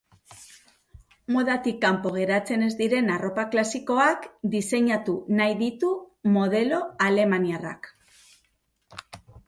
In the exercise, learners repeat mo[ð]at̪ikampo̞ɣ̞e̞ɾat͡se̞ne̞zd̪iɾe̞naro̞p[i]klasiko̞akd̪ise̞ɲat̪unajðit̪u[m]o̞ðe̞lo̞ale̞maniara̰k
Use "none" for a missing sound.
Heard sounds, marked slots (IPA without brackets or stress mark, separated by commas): ð, a, m